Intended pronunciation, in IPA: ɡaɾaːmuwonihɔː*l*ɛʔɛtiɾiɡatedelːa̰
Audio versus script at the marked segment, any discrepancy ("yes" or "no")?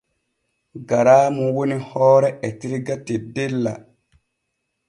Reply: yes